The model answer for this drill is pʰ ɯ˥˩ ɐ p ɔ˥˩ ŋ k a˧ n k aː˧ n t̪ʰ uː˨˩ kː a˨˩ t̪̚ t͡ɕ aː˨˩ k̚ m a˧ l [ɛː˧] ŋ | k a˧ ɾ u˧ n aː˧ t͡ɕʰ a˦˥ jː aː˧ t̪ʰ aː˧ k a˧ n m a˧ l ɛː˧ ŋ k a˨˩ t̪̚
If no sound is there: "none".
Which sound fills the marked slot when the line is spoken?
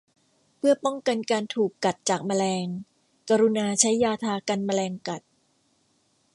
ɛː˧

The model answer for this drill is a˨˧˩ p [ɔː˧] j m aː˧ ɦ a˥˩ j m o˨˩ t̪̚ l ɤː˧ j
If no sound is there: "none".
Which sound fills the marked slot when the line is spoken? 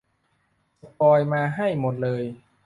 ɔː˧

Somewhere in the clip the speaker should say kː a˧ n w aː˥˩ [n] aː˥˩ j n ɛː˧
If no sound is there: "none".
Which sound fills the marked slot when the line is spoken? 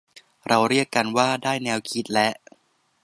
d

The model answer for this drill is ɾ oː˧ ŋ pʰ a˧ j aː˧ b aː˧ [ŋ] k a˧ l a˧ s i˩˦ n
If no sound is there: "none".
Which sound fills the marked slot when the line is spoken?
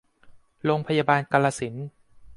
n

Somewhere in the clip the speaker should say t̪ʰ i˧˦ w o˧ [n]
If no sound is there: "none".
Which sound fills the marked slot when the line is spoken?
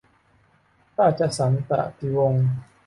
ŋ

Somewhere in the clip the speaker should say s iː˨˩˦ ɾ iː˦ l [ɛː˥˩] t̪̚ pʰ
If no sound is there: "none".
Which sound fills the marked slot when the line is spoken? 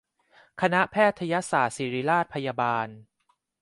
aː˥˩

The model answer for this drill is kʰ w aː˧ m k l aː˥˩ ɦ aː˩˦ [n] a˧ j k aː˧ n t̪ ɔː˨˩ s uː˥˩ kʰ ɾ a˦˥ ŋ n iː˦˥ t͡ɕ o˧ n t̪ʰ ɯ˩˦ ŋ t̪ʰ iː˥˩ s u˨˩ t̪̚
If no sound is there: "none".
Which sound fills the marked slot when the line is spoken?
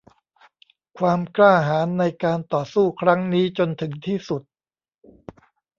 nː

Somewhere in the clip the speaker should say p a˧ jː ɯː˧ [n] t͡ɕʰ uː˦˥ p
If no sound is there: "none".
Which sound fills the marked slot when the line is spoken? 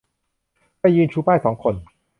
n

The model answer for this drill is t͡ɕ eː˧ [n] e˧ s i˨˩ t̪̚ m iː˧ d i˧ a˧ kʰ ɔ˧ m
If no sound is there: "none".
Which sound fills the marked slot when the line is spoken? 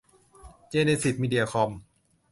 n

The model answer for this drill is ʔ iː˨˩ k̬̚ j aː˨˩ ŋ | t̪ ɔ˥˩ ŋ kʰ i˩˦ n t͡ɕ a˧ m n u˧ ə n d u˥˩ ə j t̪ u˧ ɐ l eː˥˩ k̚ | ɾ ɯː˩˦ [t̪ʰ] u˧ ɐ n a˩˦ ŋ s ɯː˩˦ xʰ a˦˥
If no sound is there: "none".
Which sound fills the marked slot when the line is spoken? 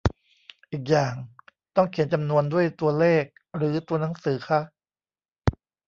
t̪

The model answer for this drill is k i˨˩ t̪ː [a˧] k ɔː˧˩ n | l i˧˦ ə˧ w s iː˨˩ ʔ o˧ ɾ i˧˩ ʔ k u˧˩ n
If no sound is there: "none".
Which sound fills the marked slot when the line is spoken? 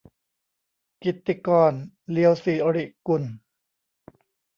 i˧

